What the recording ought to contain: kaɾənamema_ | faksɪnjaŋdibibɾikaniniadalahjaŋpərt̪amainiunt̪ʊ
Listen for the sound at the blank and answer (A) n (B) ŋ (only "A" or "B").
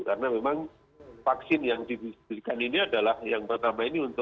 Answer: B